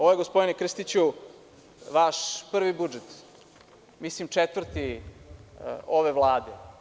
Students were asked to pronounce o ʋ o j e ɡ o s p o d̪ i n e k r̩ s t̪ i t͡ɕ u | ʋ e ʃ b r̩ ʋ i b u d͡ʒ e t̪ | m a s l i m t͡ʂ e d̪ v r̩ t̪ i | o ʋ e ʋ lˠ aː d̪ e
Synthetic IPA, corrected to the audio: o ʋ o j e ɡ o s p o d̪ i n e k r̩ s t̪ i t͡ɕ u | ʋ a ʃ p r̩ ʋ i b u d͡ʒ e t̪ | m i s l i m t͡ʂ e t̪ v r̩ t̪ i | o ʋ e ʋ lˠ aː d̪ e